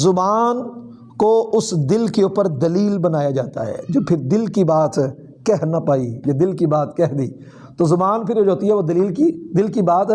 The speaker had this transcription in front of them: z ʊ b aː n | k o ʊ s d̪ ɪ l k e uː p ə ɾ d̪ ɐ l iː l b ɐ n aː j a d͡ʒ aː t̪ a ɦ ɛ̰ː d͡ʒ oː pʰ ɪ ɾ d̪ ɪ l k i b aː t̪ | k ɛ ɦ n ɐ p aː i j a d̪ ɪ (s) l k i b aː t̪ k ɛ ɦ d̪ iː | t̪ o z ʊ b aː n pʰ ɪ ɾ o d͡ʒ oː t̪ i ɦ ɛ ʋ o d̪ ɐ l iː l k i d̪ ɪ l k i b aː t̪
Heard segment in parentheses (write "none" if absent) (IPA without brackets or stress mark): none